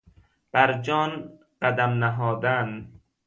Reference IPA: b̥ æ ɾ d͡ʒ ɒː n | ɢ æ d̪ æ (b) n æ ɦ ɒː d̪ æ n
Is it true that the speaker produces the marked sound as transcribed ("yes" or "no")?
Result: no